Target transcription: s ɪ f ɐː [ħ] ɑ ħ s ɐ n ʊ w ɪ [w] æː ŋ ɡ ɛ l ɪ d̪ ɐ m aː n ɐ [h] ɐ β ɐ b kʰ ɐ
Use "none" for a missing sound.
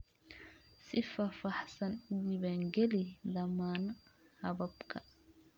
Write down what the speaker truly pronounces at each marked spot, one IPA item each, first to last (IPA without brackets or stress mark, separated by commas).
f, β, h